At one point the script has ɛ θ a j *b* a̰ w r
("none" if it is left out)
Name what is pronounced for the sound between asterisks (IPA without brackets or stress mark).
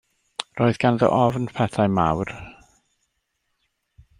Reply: m